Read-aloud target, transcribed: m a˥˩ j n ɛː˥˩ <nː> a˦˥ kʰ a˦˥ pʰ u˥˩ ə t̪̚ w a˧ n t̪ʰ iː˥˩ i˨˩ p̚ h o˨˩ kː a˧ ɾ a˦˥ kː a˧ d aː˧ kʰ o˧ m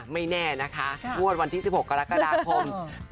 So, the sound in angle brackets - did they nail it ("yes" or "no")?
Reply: no